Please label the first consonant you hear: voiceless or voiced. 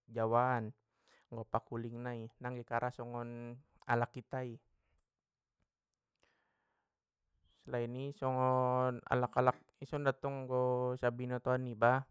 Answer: voiced